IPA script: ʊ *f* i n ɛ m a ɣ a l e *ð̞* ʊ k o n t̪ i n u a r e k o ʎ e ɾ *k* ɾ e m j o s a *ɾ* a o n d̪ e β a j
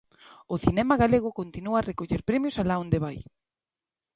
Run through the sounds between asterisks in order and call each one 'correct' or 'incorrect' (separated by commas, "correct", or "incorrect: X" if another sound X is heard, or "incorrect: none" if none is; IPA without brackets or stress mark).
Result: incorrect: θ, incorrect: ɣ̞, incorrect: p, incorrect: l